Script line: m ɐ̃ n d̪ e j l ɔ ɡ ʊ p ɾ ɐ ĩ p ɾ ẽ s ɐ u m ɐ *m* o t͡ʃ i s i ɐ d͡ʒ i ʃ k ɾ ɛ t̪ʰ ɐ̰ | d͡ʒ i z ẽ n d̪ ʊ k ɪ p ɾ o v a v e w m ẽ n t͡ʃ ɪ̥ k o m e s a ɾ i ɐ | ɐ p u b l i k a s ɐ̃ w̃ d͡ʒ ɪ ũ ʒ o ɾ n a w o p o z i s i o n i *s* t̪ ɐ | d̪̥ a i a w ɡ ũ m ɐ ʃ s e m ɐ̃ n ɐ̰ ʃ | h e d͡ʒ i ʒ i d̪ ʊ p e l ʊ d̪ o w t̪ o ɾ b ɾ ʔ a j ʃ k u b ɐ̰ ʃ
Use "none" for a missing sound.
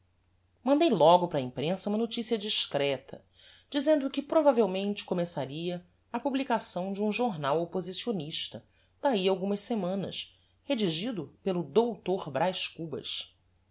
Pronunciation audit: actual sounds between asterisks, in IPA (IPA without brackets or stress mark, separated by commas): n, ʃ